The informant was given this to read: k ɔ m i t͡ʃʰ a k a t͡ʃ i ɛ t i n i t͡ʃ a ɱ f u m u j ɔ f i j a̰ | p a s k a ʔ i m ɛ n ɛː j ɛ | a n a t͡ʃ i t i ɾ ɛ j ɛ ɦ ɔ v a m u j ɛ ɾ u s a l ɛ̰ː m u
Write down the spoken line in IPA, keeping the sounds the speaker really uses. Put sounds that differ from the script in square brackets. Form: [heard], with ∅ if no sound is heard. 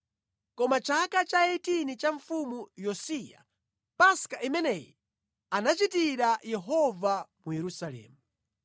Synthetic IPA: k ɔ m [a] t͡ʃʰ a k a t͡ʃ [a] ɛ t i n i t͡ʃ a ɱ f u m u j ɔ [s] i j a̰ | p a s k a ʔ i m ɛ n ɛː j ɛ | a n a t͡ʃ i t i ɾ [a] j ɛ ɦ ɔ v a m u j ɛ ɾ u s a l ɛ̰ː m u